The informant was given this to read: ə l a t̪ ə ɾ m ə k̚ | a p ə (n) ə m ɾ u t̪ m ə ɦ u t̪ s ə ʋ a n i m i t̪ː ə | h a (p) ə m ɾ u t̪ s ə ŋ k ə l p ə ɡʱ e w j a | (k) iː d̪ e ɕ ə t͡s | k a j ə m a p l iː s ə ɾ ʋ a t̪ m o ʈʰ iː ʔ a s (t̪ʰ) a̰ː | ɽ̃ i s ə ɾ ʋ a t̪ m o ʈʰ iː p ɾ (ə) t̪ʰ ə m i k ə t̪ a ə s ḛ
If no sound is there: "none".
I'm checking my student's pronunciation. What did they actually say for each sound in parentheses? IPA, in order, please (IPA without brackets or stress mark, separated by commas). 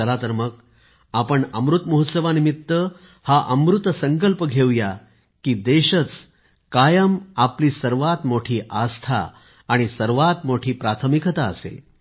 ɳ, ʔ, k, t̪ʰ, a